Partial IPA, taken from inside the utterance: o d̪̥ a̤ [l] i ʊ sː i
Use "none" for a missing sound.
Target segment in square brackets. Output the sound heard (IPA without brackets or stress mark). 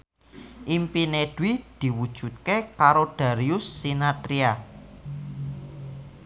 ɾ